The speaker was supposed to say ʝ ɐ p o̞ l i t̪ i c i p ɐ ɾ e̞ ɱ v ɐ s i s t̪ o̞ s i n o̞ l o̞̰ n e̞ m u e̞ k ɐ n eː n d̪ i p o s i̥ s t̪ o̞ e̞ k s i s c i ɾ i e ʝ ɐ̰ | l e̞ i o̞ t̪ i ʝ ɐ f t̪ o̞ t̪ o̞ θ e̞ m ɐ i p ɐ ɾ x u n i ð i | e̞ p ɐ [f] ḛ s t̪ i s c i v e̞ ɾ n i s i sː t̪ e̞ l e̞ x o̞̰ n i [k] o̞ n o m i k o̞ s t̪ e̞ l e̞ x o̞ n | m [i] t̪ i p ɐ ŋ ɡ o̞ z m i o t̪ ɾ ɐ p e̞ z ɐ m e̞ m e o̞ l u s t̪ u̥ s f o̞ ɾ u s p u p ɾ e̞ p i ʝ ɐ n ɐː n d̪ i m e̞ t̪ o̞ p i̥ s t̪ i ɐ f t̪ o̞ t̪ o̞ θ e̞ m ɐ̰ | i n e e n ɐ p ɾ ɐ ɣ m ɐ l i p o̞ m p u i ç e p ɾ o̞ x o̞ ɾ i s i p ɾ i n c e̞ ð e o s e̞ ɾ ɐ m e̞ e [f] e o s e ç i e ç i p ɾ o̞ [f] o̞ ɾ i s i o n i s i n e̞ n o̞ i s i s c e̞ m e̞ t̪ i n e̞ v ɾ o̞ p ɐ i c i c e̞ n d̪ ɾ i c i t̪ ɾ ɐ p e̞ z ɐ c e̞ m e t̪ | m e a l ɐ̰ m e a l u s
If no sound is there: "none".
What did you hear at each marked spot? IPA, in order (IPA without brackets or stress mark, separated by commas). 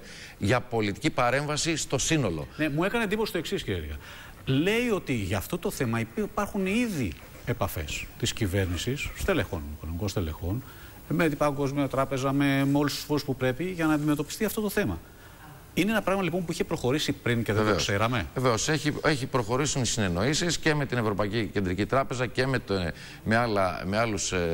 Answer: f, k, e, v, x